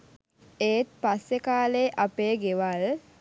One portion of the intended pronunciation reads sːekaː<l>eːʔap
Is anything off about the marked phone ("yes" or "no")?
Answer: no